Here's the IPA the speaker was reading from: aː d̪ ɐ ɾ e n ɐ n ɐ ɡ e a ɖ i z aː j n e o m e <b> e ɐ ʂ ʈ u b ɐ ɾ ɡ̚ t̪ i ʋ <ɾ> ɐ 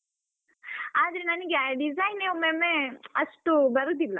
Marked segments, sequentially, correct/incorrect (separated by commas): incorrect, incorrect